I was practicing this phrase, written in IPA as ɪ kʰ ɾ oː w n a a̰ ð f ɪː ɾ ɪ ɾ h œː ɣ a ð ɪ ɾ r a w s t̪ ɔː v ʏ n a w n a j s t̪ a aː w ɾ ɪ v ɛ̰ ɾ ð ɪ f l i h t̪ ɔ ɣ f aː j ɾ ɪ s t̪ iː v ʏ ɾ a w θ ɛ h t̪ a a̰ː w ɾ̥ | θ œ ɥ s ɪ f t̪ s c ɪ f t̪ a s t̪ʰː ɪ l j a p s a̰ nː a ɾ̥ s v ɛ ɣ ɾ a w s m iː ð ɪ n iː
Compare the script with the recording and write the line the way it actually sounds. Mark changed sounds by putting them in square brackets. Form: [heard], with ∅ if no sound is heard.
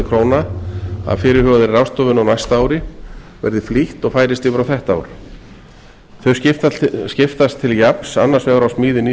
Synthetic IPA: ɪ kʰ ɾ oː w n a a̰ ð f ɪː ɾ ɪ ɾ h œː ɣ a ð ɪ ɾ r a w s t̪ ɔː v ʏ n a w n a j s t̪ a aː w ɾ ɪ v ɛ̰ ɾ ð ɪ f l i h t̪ ɔ ɣ f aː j ɾ ɪ s t̪ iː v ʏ ɾ a w θ ɛ h t̪ a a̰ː w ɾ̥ | θ œ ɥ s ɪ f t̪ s c ɪ f t̪ a s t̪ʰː ɪ l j a p s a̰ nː a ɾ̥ s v ɛ ɣ ɾ a w s m iː ð ɪ n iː